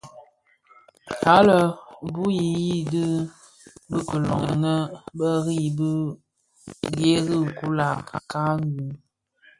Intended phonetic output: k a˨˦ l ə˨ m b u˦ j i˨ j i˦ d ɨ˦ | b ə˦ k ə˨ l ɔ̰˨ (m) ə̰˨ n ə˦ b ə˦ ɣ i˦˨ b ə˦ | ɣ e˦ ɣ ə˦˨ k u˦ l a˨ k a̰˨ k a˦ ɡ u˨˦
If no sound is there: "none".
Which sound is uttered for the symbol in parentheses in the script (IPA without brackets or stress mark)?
ŋ